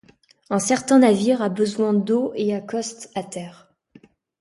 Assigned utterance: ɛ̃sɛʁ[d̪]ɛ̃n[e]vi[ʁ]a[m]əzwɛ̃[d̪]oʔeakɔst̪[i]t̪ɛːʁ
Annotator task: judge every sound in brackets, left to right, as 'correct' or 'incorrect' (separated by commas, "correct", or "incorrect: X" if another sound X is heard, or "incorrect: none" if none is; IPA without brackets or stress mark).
incorrect: t̪, incorrect: a, correct, incorrect: b, correct, incorrect: a